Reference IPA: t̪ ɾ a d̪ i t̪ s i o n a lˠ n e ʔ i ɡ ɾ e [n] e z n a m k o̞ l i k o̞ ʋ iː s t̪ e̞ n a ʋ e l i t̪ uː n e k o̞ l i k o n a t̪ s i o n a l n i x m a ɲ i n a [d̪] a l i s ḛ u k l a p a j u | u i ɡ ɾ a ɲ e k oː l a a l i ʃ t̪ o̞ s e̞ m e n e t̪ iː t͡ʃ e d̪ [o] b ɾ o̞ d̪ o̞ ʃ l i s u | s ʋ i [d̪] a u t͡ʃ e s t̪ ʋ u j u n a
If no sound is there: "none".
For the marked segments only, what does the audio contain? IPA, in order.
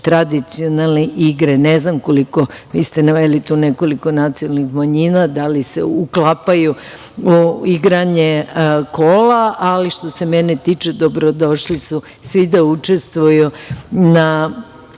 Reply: n, d̪, o, d̪

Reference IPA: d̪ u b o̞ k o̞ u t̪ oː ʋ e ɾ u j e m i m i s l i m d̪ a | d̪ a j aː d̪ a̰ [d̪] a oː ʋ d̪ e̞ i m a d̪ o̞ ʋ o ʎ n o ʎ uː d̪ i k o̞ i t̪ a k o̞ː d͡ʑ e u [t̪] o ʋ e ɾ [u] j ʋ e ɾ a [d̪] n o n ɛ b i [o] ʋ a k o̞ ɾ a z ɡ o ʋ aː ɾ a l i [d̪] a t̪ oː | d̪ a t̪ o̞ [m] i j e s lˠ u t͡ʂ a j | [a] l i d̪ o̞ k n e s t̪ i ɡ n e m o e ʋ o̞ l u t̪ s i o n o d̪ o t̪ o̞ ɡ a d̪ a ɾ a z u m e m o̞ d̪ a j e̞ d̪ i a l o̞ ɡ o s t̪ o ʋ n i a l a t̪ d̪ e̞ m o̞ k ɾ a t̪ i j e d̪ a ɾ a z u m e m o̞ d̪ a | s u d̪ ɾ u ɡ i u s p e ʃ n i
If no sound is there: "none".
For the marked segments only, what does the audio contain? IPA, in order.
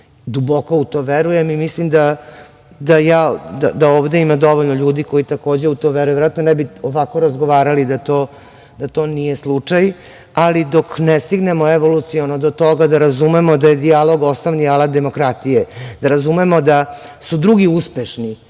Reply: d̪, t̪, u, t̪, o, d̪, n, a

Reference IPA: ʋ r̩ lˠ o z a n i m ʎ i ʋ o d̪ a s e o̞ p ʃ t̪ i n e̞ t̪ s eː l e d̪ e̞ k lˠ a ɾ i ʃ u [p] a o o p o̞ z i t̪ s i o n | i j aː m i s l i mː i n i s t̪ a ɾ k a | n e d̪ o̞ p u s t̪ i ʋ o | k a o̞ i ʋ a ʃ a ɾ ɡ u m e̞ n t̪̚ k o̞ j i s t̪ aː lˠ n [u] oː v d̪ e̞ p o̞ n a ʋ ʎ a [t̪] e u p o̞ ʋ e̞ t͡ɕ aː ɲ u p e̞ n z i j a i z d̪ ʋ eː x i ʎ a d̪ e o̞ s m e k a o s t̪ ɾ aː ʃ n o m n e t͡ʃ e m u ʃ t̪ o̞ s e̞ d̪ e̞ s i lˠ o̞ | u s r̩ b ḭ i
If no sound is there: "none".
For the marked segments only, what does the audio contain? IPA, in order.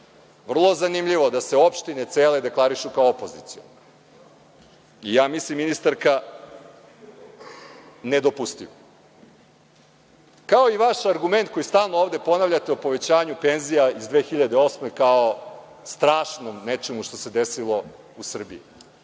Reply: k, o, t̪

